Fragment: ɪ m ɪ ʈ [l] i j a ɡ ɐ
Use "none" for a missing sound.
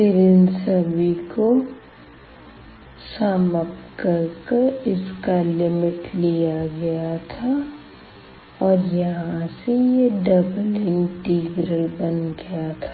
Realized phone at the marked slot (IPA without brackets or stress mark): l